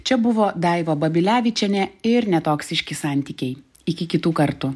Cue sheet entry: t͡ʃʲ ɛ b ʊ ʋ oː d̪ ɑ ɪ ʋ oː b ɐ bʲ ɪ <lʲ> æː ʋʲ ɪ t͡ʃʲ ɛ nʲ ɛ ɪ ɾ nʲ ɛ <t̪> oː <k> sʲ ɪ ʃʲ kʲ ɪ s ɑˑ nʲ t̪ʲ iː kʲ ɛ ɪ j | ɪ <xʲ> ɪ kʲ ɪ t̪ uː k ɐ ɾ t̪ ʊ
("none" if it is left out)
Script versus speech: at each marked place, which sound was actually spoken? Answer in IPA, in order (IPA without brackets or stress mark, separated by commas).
lʲ, t̪, k, kʲ